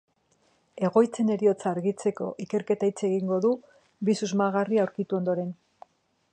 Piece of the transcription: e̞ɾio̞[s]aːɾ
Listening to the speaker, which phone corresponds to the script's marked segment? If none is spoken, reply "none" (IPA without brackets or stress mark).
t͡s